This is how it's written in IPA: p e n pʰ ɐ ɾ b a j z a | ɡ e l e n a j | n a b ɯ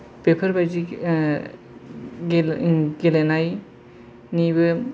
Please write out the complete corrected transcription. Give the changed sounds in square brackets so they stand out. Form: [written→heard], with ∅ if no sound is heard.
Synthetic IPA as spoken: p e [n→∅] pʰ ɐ ɾ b a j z [a→i] | ɡ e l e n a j | n [a→i] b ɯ